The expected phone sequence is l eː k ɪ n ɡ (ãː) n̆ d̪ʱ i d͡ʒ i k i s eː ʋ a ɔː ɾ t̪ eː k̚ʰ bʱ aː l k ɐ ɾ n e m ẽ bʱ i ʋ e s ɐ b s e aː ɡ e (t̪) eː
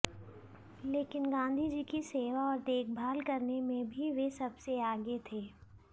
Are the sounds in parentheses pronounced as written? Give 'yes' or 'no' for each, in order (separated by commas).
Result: yes, no